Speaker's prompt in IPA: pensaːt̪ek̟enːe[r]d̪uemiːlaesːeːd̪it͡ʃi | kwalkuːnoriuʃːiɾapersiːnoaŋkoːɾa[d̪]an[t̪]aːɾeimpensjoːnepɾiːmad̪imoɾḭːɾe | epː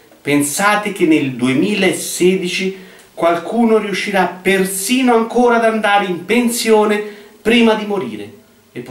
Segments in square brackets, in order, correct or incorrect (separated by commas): incorrect, correct, incorrect